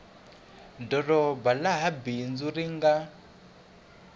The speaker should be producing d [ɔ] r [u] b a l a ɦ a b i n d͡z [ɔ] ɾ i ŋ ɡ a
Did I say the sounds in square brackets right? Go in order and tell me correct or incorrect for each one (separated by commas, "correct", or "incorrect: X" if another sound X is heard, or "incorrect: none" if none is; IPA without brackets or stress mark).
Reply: correct, incorrect: ɔ, incorrect: u